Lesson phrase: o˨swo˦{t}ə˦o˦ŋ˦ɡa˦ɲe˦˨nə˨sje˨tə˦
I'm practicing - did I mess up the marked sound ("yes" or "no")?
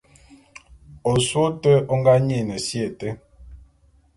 no